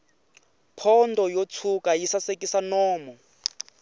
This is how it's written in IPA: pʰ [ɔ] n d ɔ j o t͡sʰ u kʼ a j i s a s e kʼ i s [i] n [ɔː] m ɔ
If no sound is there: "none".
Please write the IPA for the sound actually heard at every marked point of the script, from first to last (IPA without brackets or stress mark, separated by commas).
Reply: ɔ, a, ɔː